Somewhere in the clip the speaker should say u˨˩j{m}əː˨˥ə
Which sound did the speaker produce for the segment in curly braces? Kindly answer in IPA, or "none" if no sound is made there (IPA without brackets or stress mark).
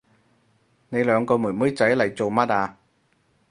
m